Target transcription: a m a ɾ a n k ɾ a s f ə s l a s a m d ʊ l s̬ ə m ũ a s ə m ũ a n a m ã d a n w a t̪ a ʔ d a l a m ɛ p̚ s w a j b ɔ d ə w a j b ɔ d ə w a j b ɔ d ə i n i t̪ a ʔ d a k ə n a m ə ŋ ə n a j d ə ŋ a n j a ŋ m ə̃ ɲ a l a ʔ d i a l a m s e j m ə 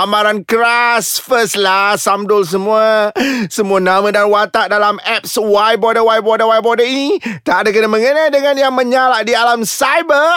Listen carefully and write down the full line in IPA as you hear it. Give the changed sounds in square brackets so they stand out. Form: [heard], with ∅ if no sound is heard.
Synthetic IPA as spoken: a m a ɾ a n k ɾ a s f ə s l a s a m d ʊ l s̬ ə m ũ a s ə m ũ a n a m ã d a n w a t̪ a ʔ d a l a m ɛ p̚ s w a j b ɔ d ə w a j b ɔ d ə w a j b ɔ d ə i n i t̪ a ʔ d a k ə n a m ə ŋ ə n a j d ə ŋ a n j a ŋ m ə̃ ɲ a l a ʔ d i a l a m s [a] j [b] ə